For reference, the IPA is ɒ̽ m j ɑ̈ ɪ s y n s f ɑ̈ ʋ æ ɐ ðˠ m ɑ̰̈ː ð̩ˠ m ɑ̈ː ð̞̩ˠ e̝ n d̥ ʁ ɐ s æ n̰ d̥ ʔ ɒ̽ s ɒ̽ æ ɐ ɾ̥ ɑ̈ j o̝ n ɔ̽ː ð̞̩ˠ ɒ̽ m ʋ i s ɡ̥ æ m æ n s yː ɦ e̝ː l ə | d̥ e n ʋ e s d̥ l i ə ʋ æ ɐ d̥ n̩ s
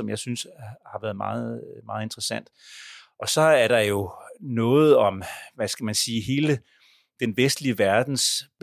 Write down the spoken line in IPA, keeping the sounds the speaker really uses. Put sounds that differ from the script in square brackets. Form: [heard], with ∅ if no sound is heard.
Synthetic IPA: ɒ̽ m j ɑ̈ ɪ s y n s [h] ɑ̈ ʋ æ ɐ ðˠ m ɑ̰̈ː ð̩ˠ m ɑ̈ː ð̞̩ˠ e̝ n d̥ ʁ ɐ s æ n̰ d̥ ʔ ɒ̽ s ɒ̽ æ ɐ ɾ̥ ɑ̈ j o̝ n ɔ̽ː ð̞̩ˠ ɒ̽ m ʋ [æ] s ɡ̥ æ m æ n s [iː] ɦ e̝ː l ə | d̥ e n ʋ e s d̥ l i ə ʋ æ ɐ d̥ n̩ s